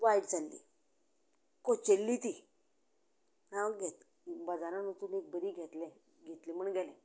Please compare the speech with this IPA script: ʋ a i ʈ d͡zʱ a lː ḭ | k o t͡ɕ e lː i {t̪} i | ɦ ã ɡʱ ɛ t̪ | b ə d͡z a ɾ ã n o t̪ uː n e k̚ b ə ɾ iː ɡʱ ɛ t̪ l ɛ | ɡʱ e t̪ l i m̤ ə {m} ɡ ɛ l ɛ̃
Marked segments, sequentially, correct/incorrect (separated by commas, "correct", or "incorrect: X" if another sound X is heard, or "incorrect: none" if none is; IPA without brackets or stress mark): correct, incorrect: ɳ